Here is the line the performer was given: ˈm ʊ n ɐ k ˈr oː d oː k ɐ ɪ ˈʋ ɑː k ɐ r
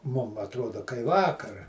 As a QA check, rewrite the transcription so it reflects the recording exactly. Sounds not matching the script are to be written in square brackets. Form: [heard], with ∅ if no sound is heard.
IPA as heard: ˈm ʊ [m] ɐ [t] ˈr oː d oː k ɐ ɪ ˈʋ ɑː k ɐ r